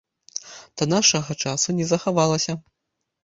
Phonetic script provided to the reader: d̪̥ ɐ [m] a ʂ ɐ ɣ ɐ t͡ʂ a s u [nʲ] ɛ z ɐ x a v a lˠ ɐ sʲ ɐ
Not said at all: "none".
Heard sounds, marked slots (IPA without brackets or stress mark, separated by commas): n, nʲ